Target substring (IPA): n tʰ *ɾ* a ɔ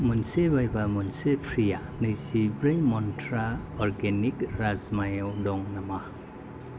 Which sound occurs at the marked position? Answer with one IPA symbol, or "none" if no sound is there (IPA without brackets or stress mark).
ɾ